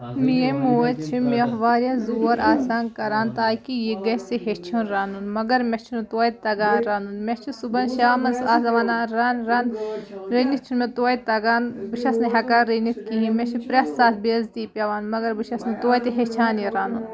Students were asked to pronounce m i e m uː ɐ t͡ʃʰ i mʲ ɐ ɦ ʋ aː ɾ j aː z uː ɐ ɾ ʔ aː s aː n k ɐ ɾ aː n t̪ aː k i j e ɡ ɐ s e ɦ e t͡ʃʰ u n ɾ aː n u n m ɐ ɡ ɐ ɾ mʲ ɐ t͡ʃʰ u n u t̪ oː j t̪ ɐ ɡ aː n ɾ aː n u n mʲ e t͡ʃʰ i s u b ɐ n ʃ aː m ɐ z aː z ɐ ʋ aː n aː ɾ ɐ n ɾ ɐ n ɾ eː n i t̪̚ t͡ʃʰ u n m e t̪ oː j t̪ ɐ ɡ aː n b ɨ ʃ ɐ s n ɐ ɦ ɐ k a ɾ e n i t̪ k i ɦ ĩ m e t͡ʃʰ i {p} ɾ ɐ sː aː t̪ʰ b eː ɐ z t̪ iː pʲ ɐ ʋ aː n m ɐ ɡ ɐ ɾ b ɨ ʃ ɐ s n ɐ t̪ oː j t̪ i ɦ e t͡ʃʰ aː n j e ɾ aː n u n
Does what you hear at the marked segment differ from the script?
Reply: no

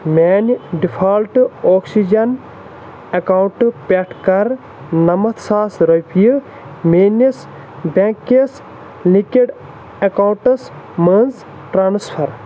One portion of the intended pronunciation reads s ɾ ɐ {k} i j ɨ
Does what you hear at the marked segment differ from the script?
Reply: yes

